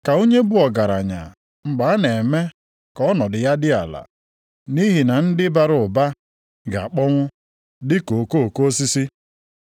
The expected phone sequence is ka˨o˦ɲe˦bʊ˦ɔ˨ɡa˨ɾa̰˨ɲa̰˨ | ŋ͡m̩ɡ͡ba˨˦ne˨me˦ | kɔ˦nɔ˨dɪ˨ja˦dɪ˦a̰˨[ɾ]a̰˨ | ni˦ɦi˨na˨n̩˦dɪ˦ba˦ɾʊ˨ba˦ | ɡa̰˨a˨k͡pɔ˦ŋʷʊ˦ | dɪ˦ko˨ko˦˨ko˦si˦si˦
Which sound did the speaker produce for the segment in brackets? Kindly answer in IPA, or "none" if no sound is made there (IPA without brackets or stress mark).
l